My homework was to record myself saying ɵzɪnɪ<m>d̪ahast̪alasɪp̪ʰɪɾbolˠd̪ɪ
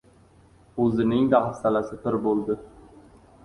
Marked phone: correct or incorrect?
incorrect